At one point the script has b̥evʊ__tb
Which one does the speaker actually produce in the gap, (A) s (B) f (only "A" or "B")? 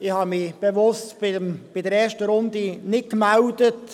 A